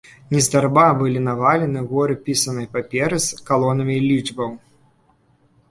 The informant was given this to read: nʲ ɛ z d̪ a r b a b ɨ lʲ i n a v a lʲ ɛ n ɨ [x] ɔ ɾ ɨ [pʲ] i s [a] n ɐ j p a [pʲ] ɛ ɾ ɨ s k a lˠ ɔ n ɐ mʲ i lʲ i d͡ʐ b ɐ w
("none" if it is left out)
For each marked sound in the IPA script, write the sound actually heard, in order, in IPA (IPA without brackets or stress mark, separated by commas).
ɣ, pʲ, ɐ, pʲ